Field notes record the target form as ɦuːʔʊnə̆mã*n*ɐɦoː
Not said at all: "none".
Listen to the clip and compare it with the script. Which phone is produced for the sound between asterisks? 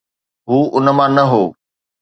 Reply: n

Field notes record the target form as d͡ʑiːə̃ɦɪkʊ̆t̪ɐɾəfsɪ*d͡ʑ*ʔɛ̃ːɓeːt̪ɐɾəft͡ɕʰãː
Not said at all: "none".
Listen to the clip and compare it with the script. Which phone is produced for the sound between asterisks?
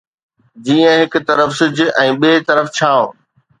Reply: d͡ʑ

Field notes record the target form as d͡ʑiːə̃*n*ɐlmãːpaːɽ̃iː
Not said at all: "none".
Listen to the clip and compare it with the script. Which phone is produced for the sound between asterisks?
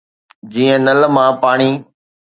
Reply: n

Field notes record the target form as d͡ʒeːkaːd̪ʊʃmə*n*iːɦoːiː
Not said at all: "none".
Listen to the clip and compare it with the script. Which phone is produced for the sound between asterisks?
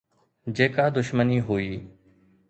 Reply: n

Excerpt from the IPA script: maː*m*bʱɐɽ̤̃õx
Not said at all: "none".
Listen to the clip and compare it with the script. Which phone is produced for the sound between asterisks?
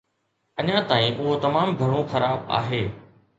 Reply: m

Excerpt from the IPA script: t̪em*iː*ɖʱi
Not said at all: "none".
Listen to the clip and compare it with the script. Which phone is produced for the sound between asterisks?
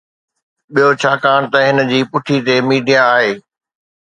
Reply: iː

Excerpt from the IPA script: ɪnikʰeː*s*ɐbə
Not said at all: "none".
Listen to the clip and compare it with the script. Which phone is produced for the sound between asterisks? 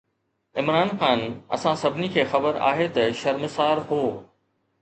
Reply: x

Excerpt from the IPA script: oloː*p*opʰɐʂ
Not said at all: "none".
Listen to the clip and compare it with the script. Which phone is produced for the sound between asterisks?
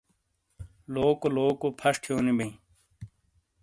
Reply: k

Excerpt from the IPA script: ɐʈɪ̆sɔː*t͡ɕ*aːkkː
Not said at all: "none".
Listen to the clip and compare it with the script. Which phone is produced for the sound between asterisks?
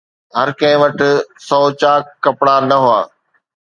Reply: t͡ɕ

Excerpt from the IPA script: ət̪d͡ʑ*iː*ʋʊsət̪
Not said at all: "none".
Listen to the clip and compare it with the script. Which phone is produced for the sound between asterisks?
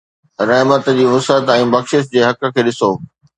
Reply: iː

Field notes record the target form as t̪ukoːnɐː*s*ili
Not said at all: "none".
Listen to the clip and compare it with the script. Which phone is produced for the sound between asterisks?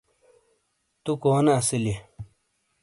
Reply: s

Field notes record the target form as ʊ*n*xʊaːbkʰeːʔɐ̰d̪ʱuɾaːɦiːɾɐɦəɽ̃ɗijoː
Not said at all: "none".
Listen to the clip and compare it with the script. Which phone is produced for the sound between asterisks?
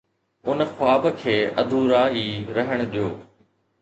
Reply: n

